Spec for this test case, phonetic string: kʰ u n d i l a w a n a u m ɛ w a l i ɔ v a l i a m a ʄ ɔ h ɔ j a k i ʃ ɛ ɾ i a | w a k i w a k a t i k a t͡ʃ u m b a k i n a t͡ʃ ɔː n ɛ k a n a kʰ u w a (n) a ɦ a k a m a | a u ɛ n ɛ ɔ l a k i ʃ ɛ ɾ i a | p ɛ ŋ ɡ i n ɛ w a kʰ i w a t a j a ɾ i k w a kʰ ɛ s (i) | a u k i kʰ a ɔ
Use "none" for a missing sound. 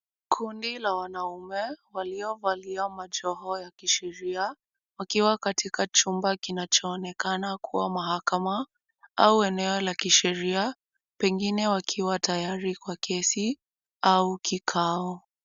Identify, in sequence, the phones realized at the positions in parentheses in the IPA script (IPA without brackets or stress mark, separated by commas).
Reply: m, i